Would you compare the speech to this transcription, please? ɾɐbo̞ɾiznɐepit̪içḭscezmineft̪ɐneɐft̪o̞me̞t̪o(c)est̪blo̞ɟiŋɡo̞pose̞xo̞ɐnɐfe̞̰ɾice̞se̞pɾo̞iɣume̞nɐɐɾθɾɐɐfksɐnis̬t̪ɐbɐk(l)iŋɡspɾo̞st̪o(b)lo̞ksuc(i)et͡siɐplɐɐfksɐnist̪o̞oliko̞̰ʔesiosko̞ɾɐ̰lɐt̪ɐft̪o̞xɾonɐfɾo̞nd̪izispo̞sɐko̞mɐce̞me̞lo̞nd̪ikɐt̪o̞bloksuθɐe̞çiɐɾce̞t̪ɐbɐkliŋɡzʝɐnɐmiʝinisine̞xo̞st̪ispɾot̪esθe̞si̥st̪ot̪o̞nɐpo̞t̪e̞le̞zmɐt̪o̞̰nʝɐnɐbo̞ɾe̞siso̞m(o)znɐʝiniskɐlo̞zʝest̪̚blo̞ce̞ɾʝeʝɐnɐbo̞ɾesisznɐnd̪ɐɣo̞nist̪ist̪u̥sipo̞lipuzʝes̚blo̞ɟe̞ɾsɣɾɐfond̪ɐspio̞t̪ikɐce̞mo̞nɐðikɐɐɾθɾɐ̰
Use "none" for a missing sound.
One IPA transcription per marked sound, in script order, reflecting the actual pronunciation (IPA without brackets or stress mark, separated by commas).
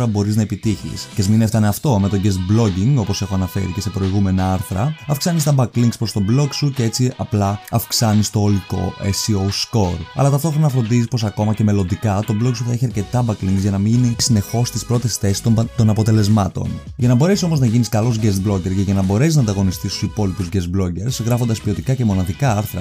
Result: ɟ, l, b, e, o